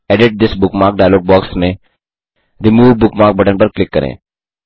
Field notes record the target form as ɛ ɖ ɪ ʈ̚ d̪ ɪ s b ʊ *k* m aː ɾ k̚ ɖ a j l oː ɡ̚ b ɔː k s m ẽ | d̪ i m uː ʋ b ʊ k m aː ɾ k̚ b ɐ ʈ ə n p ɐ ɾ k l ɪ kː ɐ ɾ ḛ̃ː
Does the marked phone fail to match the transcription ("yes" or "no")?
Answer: no